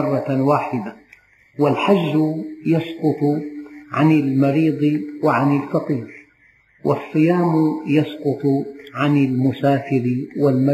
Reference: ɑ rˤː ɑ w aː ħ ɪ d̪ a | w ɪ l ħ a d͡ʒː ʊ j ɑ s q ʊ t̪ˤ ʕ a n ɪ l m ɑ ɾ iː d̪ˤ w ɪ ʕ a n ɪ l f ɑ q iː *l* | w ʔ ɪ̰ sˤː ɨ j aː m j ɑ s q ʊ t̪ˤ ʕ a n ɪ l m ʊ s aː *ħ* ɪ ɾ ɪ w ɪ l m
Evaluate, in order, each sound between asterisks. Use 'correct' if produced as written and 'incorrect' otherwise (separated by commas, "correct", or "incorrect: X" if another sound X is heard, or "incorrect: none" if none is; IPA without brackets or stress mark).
incorrect: ɾ, incorrect: f